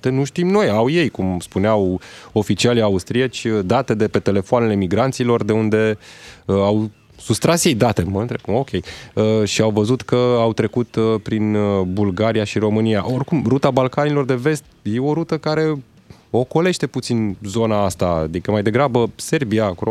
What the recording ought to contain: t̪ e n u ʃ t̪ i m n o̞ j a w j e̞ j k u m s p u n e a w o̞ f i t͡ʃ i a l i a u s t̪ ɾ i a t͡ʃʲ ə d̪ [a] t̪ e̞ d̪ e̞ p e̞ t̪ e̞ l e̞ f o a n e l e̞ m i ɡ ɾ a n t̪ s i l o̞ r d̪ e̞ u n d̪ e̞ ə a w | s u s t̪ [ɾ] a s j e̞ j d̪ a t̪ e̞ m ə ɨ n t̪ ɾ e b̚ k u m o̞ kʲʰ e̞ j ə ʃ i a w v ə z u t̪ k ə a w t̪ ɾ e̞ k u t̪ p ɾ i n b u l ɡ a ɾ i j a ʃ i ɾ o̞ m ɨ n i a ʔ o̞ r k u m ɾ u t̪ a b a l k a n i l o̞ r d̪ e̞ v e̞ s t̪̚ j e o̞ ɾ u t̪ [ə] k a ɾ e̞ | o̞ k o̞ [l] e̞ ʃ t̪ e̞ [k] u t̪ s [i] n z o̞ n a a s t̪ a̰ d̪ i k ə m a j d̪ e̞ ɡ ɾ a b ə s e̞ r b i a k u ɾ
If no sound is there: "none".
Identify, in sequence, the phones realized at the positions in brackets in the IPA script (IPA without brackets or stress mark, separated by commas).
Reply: a, ɾ, ə, l, p, i